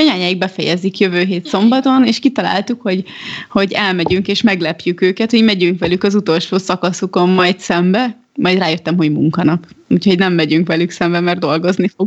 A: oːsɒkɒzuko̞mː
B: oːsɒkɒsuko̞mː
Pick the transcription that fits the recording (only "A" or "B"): B